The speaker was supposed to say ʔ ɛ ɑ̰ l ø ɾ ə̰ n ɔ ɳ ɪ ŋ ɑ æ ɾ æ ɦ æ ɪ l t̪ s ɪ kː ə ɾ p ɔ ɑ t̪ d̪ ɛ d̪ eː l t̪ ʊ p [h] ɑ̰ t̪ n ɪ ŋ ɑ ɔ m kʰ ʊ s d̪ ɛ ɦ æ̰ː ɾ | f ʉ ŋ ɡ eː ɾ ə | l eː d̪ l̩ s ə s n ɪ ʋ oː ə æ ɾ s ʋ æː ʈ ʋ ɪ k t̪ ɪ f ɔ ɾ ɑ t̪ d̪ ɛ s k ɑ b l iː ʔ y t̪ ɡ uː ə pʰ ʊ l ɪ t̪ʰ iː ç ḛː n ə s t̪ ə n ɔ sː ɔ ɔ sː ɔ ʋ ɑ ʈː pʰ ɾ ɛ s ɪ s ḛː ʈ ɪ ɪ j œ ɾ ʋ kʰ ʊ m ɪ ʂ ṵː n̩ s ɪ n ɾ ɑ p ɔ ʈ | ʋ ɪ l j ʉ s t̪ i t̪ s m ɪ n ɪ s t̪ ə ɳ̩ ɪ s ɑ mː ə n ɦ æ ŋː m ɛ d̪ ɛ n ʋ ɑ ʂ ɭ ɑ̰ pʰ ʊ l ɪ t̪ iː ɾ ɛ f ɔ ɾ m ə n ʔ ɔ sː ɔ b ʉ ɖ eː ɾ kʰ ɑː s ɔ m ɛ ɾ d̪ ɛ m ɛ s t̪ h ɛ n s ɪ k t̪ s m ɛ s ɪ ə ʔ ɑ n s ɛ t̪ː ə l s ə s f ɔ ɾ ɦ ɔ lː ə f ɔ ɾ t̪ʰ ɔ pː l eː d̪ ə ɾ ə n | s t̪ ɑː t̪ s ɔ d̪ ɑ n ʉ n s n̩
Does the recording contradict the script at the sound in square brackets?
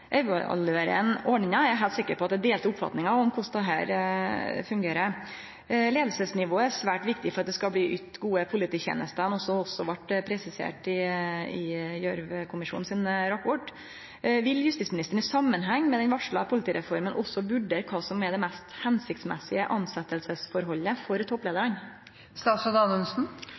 yes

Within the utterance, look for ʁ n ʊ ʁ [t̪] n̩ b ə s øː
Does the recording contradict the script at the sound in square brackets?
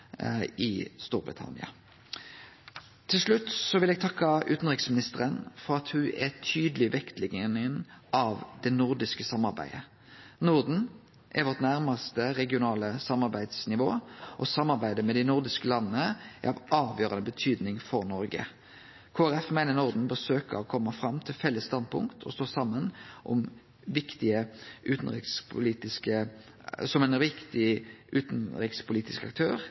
yes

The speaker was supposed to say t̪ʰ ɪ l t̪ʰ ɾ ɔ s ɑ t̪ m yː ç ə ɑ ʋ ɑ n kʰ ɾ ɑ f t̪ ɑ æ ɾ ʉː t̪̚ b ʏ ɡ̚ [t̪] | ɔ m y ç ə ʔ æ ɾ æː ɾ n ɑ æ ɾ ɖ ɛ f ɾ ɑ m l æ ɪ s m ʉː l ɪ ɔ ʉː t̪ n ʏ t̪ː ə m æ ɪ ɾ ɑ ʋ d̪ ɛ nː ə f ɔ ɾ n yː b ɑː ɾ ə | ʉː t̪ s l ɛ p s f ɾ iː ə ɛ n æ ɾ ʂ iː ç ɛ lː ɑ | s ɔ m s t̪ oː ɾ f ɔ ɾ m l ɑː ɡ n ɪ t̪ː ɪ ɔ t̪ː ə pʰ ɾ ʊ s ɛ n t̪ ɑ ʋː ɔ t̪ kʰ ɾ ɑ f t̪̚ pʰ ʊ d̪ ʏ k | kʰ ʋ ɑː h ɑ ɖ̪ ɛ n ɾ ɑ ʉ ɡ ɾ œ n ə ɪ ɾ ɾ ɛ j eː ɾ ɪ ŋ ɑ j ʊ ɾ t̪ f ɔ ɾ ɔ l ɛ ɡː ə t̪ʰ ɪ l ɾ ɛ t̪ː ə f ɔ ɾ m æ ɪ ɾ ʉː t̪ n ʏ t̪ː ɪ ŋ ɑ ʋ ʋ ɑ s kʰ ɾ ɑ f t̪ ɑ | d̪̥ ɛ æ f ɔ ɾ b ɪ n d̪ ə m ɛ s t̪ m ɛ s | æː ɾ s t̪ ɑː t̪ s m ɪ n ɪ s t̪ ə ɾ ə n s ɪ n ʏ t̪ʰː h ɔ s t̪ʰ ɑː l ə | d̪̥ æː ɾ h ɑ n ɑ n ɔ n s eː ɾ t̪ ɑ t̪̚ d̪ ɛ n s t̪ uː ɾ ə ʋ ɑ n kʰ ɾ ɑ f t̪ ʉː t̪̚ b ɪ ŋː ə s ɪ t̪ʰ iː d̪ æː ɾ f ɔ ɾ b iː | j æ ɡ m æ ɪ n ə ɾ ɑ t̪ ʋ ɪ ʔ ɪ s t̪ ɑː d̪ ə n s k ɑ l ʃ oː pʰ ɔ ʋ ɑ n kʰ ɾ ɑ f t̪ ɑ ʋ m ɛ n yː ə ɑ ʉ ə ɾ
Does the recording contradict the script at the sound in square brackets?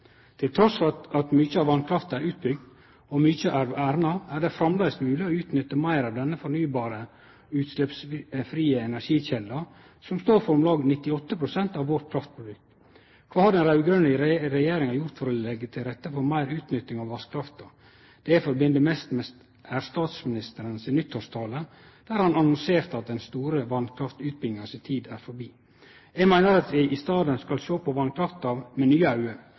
yes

